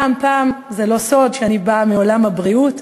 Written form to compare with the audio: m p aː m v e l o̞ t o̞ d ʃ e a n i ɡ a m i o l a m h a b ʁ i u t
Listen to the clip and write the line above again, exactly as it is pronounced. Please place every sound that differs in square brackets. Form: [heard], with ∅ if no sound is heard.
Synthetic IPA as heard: m p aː m [z] e l o̞ [s] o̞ d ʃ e a n i [b] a m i o l a m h a b ʁ i u t